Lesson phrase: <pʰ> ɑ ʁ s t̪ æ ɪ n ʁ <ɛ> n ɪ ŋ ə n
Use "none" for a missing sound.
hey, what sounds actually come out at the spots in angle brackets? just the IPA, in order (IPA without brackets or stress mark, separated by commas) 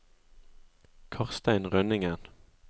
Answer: kʰ, œ